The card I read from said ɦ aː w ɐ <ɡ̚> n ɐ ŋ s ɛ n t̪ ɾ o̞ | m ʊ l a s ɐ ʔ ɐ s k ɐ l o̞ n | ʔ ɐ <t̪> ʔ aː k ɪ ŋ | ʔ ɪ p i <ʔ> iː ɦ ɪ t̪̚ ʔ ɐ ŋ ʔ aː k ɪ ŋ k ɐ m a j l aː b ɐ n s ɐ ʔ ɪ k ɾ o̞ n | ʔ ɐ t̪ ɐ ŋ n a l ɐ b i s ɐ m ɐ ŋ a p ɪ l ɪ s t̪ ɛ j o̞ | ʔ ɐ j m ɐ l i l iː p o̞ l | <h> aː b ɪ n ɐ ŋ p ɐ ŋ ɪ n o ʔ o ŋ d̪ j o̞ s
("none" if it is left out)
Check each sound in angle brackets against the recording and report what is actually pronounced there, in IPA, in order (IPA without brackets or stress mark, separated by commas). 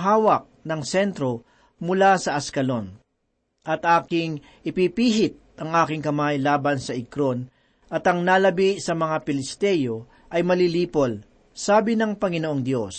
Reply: k̚, t̪, p, s